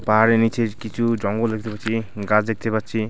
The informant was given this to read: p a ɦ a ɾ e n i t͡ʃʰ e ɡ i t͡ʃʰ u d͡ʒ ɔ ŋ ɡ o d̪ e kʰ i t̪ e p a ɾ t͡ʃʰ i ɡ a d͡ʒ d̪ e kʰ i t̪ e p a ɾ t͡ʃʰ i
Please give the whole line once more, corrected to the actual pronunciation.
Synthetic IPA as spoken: p a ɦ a ɾ e n i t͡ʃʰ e k i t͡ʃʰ u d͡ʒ ɔ ŋ ɡ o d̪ e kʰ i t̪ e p a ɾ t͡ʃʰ i ɡ a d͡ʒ d̪ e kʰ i t̪ e p a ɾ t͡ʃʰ i